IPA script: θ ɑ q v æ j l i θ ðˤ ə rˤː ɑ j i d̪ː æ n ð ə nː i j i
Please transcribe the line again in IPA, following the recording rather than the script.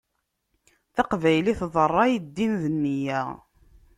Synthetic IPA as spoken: θ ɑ q v æ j l i θ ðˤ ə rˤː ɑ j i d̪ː i n ð ə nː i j æ